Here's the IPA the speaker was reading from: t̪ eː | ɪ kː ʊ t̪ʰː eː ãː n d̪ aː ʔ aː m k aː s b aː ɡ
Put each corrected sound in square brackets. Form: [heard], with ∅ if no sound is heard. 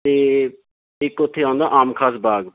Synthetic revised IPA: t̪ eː | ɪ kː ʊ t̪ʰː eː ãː n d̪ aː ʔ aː m [kʰ] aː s b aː ɡ